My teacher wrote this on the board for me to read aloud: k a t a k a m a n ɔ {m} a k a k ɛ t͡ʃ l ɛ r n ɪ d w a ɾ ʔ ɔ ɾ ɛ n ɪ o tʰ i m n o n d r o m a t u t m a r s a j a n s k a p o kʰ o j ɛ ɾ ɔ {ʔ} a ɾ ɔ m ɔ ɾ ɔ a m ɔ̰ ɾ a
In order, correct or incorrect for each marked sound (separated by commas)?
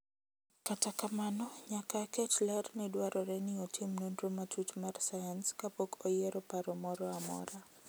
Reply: incorrect, incorrect